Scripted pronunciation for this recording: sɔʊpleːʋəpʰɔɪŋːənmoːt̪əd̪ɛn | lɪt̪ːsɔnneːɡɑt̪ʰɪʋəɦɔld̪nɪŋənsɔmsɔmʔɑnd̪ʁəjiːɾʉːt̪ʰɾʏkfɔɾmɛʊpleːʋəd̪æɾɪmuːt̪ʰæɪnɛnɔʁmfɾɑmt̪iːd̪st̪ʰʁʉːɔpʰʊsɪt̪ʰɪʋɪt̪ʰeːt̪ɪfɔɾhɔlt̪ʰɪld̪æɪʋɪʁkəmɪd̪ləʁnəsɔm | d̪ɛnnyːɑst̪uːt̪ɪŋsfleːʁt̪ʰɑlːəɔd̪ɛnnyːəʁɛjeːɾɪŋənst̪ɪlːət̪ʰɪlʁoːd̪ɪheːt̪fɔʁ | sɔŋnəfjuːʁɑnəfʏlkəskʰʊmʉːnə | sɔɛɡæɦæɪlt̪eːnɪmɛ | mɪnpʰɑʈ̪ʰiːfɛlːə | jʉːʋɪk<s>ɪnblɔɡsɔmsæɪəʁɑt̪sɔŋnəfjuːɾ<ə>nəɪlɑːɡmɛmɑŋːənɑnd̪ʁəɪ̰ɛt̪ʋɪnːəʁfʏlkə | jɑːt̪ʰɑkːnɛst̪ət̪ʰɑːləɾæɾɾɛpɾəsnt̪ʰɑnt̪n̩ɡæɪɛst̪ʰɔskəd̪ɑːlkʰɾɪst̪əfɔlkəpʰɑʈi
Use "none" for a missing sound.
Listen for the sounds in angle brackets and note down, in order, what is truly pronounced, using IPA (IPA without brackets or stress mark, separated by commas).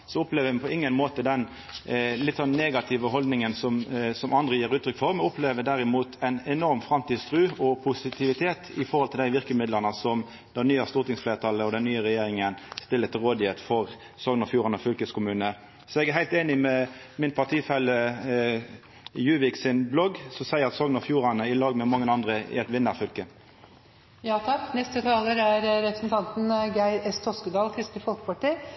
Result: s, ɑ